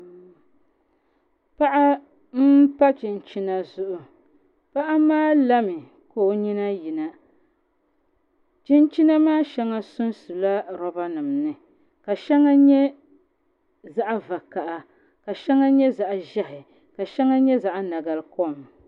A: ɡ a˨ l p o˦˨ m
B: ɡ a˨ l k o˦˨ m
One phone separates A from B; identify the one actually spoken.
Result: B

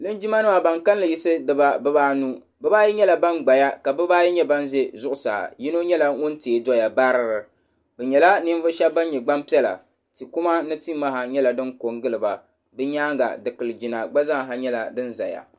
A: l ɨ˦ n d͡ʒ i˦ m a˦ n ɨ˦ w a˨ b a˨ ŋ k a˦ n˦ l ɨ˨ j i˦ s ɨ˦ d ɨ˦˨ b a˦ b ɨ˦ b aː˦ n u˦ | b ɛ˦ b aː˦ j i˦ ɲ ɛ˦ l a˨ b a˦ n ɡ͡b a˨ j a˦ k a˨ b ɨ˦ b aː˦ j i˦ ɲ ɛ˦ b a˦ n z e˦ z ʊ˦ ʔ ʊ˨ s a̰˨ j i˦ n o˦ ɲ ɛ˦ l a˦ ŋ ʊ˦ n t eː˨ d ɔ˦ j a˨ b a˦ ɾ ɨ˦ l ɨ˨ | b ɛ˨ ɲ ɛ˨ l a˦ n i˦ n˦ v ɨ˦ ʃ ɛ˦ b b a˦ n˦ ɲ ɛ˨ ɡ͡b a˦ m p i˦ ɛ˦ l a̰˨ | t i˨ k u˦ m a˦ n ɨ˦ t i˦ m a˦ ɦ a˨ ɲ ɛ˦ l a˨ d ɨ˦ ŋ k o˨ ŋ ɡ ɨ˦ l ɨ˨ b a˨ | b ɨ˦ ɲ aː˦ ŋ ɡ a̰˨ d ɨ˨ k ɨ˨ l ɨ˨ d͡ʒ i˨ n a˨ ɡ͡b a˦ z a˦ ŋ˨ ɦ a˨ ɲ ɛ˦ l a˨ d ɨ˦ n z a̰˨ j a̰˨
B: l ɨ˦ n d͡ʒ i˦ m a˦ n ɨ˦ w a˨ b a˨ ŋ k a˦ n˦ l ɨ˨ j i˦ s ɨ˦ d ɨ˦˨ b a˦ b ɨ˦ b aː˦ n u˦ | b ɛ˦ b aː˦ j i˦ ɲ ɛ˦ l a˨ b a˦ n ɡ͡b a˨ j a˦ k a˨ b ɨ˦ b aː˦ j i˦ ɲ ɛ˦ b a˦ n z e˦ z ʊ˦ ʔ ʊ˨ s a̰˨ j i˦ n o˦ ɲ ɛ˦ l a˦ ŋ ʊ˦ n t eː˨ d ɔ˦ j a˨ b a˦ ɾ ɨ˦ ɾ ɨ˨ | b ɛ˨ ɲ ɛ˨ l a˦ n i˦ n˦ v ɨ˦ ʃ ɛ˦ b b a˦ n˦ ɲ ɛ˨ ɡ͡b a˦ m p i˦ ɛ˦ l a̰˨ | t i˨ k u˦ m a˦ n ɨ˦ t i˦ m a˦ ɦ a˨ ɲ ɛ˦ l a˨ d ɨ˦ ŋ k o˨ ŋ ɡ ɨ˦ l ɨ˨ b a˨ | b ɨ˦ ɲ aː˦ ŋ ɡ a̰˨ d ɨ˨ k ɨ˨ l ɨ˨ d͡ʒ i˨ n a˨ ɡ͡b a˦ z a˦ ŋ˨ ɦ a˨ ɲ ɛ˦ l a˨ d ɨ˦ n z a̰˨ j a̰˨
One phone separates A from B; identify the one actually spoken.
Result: B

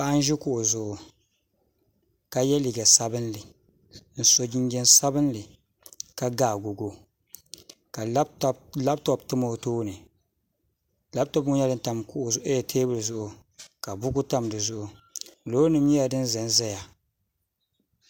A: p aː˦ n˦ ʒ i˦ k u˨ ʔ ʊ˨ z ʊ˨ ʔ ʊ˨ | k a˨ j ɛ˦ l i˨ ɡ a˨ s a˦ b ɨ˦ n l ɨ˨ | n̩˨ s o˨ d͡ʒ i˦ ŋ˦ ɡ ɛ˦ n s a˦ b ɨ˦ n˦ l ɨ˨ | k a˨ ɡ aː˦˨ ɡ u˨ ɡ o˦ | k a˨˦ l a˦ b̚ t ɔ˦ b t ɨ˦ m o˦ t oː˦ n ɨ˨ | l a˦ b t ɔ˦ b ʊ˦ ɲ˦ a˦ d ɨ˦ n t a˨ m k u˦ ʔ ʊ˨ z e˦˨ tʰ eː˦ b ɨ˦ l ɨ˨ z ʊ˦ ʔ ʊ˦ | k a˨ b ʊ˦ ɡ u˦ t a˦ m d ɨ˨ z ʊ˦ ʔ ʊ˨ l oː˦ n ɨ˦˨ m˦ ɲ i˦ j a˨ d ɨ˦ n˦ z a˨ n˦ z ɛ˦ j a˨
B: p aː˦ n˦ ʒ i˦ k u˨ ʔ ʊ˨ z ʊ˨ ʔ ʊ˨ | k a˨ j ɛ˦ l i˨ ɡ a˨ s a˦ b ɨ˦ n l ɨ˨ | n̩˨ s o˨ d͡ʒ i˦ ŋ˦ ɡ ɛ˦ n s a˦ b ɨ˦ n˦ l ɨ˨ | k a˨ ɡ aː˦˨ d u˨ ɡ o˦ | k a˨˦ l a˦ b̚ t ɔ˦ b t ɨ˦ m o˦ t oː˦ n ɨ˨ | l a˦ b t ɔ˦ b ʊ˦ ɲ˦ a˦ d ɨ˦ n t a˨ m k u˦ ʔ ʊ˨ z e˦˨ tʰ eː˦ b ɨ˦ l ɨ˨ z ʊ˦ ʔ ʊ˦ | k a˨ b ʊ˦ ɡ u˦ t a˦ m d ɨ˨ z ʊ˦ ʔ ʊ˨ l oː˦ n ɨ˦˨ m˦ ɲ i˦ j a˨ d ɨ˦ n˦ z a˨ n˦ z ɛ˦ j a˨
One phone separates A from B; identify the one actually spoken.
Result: A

